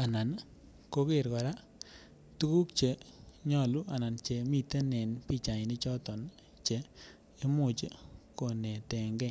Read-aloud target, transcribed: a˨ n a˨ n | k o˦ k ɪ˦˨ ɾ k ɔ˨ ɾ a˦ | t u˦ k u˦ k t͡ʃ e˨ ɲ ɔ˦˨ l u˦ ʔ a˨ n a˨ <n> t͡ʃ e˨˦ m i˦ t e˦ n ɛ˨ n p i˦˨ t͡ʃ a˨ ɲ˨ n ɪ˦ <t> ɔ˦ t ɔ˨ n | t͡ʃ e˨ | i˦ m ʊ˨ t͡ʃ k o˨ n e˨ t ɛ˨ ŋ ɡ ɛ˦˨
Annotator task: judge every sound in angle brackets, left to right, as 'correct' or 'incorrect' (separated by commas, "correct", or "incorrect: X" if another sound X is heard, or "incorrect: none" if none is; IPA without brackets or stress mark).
correct, incorrect: t͡ʃ